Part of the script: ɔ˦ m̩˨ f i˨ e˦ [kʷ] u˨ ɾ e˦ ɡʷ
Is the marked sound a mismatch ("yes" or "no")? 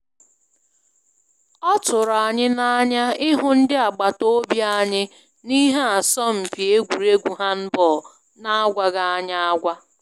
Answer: yes